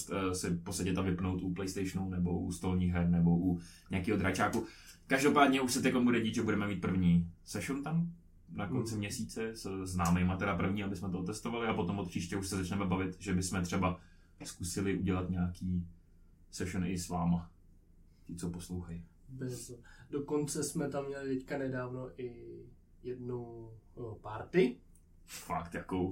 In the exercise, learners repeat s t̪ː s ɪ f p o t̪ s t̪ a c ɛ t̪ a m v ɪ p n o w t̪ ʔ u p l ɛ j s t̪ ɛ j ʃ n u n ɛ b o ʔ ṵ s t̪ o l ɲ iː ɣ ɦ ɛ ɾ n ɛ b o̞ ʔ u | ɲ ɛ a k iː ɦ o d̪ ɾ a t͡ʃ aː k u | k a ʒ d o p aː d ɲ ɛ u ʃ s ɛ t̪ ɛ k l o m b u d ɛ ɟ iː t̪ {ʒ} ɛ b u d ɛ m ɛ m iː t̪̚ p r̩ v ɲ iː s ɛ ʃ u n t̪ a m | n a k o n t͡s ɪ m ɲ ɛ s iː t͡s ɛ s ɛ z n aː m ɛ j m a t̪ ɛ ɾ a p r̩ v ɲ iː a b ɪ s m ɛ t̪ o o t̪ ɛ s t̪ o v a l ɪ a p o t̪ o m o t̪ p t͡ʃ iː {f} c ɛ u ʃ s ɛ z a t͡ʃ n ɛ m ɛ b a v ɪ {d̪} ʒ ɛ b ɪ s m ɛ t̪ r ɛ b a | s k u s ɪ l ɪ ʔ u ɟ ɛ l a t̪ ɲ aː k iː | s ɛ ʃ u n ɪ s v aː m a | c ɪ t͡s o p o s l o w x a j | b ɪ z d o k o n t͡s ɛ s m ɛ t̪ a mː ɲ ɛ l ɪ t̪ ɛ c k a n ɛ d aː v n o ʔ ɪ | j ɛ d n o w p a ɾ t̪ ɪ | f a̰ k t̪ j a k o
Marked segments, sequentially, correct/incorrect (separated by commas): correct, incorrect, incorrect